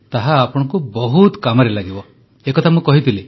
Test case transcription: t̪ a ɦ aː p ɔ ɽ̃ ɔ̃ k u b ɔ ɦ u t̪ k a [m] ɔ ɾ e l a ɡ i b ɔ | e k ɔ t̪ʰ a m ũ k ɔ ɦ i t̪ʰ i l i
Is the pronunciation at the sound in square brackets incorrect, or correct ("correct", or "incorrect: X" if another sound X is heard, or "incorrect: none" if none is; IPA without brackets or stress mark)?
correct